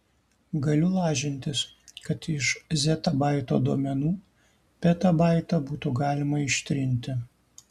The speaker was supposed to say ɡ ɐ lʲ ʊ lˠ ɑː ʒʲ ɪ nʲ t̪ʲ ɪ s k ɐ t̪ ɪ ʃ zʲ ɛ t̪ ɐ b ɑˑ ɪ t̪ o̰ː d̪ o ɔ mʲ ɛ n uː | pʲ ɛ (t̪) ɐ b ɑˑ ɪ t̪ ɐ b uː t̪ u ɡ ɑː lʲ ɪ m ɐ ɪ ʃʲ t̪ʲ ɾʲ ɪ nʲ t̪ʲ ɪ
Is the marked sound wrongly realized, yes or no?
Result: no